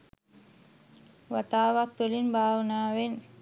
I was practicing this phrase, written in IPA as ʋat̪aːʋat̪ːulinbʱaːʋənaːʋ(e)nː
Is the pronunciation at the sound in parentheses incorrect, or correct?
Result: correct